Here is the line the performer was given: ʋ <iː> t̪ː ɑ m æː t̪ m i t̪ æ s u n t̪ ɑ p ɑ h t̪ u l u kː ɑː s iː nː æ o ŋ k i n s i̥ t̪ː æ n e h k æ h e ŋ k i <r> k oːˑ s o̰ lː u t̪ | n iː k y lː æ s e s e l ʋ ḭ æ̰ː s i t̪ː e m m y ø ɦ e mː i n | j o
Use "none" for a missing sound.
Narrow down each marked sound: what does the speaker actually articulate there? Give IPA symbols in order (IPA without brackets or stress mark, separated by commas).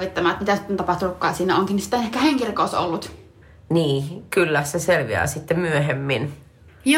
i, r